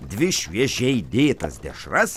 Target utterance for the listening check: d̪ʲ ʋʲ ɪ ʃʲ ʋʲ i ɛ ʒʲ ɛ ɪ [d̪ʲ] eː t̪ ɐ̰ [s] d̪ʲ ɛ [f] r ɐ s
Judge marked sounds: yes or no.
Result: yes, yes, no

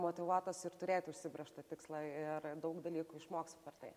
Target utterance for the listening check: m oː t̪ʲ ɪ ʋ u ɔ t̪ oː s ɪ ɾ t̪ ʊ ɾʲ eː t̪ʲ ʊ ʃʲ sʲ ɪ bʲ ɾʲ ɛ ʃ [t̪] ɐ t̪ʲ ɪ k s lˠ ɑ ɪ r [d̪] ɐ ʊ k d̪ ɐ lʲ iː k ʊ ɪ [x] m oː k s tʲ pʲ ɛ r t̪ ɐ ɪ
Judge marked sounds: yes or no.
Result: yes, yes, no

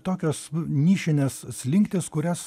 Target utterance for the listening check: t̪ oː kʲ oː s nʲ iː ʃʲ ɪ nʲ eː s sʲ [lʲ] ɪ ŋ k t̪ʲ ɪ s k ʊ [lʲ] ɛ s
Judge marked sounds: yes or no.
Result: yes, no

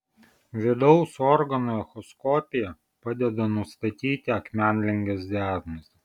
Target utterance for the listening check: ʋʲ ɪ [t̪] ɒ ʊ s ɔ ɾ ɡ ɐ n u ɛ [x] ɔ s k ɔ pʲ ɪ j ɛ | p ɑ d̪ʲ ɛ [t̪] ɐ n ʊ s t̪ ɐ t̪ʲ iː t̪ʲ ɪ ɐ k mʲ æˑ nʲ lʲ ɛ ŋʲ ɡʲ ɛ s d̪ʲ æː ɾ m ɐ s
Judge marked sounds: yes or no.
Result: no, yes, no

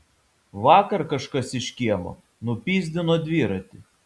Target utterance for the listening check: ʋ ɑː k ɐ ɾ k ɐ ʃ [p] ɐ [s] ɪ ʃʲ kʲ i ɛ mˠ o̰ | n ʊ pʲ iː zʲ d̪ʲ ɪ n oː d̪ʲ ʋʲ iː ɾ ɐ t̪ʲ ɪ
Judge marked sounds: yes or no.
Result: no, yes

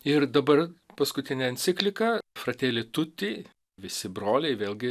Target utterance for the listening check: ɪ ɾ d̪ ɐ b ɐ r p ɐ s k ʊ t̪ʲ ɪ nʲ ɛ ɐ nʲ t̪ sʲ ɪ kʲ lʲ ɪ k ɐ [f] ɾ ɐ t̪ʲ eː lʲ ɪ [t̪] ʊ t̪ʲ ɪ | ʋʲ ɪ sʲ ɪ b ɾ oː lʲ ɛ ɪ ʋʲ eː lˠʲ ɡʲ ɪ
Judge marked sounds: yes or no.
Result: yes, yes

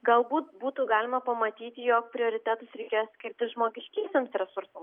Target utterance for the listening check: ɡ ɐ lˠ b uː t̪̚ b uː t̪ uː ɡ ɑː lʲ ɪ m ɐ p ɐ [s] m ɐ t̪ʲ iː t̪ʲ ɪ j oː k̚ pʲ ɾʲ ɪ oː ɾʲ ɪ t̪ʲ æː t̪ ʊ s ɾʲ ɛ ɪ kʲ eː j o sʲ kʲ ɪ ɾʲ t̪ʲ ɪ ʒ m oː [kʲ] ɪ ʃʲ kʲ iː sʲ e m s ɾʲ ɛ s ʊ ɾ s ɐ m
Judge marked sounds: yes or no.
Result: no, no

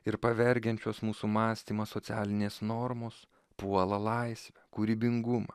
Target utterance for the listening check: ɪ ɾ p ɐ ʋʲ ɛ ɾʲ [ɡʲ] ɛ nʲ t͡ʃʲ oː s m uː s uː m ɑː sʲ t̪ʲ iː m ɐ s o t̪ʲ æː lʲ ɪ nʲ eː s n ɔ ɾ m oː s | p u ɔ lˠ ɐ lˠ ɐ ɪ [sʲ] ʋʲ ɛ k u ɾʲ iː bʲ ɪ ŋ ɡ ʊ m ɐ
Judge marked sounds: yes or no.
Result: yes, yes

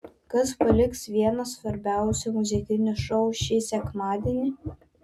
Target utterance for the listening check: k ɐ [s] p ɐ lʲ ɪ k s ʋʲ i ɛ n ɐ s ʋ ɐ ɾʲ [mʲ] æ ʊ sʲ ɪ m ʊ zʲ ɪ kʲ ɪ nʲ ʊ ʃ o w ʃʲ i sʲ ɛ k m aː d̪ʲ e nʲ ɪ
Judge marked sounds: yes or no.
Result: yes, no

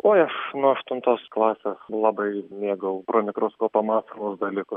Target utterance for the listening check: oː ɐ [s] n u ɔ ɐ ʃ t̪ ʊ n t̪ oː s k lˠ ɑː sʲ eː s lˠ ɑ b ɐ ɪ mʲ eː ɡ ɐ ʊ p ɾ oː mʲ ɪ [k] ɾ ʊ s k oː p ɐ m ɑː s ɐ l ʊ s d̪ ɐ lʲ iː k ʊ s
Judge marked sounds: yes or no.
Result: no, yes

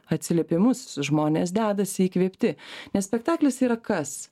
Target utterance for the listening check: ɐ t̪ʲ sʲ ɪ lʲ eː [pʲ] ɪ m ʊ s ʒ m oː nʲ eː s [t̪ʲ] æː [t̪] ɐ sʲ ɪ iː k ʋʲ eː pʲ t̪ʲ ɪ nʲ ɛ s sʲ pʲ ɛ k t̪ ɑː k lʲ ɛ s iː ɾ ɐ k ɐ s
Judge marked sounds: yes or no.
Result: yes, no, no

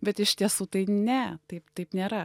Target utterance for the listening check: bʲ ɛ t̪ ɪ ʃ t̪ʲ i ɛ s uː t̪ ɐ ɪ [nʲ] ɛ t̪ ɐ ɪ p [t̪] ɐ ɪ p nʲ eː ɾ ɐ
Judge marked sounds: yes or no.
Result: yes, yes

